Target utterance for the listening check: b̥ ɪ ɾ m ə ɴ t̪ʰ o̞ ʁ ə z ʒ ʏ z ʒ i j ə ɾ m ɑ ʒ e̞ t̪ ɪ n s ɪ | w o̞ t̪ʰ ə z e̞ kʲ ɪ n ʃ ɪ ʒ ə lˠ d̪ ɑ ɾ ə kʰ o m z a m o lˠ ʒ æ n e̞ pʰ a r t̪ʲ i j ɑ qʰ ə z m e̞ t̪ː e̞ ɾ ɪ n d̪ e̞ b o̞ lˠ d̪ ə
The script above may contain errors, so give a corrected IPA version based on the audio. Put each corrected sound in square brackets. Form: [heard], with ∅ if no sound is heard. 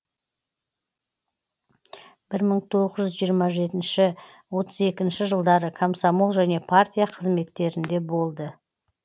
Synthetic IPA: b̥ ɪ ɾ m ə ɴ t̪ʰ o̞ ʁ ə z ʒ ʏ z ʒ i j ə ɾ m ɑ ʒ e̞ t̪ ɪ n [ʃ] ɪ | w o̞ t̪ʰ ə z e̞ kʲ ɪ n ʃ ɪ ʒ ə lˠ d̪ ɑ ɾ ə kʰ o m [s] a m o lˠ ʒ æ n e̞ pʰ a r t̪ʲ i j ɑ qʰ ə z m e̞ t̪ː e̞ ɾ ɪ n d̪ e̞ b o̞ lˠ d̪ ə